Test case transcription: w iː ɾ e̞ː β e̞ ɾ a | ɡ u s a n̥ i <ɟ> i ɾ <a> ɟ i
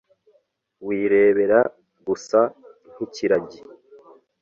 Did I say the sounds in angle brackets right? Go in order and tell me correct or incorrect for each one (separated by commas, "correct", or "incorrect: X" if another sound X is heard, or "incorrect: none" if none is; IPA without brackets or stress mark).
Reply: incorrect: c, correct